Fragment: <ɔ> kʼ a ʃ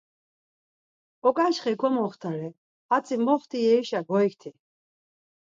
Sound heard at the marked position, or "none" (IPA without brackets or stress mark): ɔ